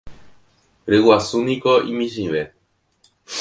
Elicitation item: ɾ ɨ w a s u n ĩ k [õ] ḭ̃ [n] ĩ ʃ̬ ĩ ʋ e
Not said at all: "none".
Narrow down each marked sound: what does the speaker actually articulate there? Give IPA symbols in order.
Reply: o, m

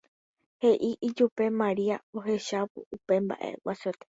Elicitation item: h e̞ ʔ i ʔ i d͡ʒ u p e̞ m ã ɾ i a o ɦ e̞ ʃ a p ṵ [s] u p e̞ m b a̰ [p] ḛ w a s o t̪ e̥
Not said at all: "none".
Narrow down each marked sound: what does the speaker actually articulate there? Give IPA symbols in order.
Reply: none, ʔ

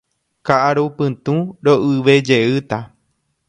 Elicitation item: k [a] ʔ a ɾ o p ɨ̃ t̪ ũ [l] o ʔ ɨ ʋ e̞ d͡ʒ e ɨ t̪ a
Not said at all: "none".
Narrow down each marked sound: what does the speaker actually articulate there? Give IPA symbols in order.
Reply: a, ɾ

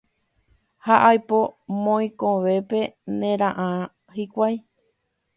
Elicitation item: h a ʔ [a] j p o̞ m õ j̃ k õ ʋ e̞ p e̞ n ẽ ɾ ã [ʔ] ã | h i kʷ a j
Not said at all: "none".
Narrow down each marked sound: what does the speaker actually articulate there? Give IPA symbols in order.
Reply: a, ʔ

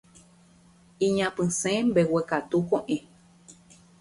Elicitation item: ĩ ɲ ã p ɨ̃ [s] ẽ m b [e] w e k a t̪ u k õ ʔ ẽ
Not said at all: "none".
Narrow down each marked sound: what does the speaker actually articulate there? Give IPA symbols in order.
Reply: s, e

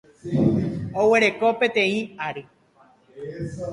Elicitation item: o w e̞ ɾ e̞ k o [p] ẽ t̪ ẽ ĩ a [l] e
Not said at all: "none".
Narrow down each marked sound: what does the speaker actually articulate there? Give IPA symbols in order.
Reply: p, ɾ

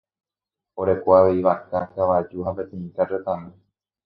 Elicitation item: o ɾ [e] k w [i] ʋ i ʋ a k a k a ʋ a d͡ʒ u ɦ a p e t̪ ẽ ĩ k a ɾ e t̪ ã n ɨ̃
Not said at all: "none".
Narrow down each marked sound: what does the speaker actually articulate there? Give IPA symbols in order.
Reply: e, a

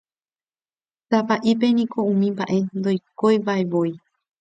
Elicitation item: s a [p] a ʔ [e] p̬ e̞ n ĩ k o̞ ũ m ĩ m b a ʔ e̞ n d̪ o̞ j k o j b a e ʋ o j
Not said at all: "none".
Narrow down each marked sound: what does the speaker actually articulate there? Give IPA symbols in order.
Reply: p, i

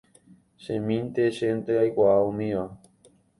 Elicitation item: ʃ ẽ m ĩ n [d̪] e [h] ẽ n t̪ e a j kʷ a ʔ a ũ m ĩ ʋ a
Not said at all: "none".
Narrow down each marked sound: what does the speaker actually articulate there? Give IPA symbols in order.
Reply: t̪, ʃ

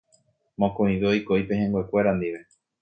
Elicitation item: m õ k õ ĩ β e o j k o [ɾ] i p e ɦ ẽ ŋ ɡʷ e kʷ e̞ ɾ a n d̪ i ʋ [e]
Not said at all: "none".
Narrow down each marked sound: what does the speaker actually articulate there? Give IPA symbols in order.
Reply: none, e

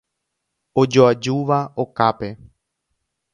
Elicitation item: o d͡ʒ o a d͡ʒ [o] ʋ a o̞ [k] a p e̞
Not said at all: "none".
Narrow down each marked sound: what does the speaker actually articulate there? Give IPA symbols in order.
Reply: u, k

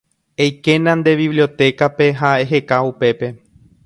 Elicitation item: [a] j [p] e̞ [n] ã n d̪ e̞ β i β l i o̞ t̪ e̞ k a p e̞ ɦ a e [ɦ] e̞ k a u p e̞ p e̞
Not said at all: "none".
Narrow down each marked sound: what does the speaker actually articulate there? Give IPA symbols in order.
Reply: e, k, n, ɦ

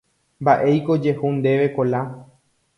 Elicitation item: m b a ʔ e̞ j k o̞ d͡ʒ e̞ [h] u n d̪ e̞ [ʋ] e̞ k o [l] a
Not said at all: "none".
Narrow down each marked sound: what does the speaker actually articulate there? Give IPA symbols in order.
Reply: h, ʋ, l

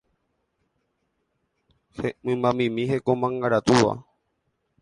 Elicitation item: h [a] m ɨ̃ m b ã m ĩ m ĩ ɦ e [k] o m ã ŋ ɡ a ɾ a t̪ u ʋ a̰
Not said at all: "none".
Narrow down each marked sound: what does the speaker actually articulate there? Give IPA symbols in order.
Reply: e, k

